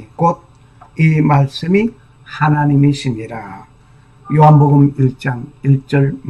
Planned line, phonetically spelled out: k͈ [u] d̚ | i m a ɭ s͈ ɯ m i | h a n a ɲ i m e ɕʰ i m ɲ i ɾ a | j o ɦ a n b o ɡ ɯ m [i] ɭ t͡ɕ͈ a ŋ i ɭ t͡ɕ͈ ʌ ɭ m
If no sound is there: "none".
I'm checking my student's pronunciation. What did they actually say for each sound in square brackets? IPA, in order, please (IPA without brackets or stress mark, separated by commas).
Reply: o, i